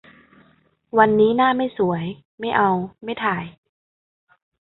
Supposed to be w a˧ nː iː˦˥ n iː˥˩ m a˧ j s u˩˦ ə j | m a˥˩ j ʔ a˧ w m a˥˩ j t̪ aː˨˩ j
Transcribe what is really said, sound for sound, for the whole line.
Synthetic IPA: w a˧ nː iː˦˥ n aː˥˩ m a˥˩ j s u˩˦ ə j | m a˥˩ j ʔ a˧ w m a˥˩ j t̪ʰ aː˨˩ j

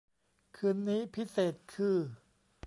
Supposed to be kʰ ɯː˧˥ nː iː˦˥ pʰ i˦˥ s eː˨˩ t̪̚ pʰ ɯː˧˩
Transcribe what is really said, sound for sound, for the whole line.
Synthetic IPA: kʰ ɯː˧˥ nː iː˦˥ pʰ i˦˥ s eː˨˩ t̪̚ kʰ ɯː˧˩

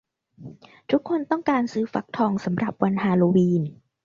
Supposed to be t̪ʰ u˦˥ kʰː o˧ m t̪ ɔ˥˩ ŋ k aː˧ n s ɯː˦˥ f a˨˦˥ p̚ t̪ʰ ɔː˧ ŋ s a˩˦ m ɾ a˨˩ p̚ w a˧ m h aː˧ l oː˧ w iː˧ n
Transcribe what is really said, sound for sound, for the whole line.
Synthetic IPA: t̪ʰ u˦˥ kʰː o˧ n t̪ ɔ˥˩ ŋ k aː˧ n s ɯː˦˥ f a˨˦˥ k̚ t̪ʰ ɔː˧ ŋ s a˩˦ m ɾ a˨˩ p̚ w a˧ n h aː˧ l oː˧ w iː˧ n

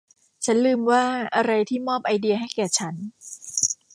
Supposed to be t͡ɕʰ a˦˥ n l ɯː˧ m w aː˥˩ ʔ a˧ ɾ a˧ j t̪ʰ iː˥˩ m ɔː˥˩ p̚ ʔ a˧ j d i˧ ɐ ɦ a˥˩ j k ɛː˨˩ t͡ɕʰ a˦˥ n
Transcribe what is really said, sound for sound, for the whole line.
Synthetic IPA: t͡ɕʰ a˦˥ n l ɯː˧ m w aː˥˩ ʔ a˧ ɾ a˧ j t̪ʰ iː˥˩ m ɔː˥˩ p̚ ʔ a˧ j d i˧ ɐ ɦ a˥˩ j k ɛː˨˩ t͡ɕʰ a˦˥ n

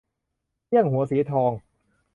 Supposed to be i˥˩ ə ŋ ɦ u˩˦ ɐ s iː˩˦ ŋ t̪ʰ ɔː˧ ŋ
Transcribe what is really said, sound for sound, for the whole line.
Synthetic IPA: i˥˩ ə ŋ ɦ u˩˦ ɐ s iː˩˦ t̪ʰ ɔː˧ ŋ

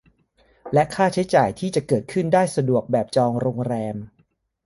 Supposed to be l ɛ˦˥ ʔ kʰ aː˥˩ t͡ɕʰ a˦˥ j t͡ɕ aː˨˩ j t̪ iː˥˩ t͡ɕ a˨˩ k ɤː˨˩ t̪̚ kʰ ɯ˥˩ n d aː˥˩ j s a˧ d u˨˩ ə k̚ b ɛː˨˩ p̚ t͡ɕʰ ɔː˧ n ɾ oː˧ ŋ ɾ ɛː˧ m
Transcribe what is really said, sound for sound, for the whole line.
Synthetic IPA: l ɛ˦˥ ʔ kʰ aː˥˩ t͡ɕʰ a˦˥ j t͡ɕ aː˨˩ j t̪ʰ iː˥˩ t͡ɕ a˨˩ k ɤː˨˩ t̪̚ kʰ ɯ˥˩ n d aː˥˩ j s a˧ d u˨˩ ə k̚ b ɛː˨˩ p̚ t͡ɕ ɔː˧ ŋ ɾ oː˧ ŋ ɾ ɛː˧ m

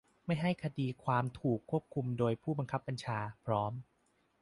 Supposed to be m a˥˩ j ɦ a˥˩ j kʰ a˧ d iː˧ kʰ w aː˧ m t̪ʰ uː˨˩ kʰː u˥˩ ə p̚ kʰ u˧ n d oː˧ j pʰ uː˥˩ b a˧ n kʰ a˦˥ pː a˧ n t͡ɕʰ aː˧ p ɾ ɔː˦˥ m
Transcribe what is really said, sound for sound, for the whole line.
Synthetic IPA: m a˥˩ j ɦ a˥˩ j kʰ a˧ d iː˧ kʰ w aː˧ m t̪ʰ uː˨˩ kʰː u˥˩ ə p̚ kʰ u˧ m d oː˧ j pʰ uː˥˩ b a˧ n kʰ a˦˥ pː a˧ n t͡ɕʰ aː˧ pʰ ɾ ɔː˦˥ m

